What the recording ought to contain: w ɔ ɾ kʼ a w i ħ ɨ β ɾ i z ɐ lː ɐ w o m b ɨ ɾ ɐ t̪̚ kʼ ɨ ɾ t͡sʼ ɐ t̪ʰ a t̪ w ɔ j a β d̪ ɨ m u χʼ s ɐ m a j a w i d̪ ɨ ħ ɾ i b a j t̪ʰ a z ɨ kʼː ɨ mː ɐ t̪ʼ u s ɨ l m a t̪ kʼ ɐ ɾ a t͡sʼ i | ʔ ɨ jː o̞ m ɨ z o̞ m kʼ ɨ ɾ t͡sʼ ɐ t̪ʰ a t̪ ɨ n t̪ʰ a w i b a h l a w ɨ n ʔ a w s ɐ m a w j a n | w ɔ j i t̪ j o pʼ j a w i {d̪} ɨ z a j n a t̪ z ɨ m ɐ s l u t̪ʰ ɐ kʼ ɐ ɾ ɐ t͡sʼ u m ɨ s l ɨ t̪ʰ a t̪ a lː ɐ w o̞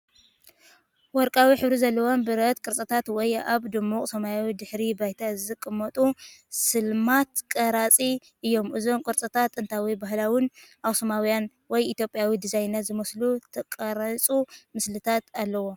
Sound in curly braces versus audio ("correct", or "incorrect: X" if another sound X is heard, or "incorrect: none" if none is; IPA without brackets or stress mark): correct